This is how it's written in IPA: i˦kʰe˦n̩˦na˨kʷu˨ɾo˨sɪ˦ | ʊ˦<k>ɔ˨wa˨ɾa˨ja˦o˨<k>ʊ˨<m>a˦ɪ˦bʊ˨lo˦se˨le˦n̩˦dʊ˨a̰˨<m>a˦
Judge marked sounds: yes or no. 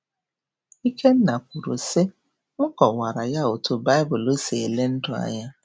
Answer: yes, no, no, no

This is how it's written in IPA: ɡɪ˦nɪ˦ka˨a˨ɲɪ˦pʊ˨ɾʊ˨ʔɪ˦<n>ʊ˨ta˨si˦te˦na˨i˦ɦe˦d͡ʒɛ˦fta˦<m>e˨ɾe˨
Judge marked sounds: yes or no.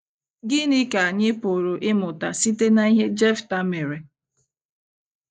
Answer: no, yes

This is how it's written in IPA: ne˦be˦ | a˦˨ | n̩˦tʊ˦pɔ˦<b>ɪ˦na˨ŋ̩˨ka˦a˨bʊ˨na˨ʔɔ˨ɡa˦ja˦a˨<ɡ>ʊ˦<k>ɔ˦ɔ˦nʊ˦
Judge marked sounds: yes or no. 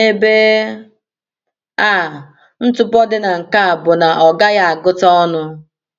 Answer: no, yes, no

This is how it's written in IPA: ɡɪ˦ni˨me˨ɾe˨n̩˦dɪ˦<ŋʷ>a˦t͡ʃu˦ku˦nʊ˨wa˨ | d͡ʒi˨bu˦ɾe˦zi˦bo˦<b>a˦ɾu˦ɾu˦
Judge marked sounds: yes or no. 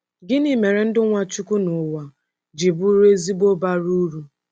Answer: yes, yes

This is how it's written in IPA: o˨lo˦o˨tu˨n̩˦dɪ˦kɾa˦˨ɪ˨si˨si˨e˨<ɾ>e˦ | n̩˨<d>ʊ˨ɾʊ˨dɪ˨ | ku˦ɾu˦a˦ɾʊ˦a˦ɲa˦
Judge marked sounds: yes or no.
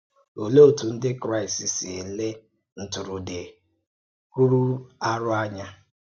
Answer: no, no

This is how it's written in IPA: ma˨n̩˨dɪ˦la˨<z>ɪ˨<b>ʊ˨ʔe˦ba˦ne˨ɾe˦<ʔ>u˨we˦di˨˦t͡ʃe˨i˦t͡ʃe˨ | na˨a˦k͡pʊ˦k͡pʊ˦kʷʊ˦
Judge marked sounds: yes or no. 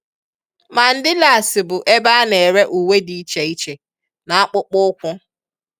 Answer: no, yes, yes

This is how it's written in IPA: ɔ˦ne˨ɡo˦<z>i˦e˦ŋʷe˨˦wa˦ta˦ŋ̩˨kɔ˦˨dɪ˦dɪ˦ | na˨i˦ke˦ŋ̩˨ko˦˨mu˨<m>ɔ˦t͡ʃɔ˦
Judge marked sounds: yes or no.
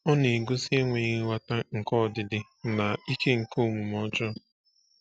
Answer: no, yes

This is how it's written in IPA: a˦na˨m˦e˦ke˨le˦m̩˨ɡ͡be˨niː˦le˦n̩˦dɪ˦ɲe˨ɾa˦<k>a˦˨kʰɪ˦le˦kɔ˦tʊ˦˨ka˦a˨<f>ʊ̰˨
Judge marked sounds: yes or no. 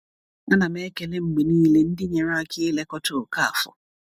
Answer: no, yes

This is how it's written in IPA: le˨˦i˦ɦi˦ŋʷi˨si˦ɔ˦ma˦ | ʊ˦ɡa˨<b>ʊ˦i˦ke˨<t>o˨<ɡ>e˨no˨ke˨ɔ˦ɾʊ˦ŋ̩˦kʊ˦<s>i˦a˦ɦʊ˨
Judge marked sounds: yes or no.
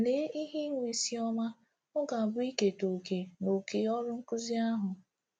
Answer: yes, yes, no, no

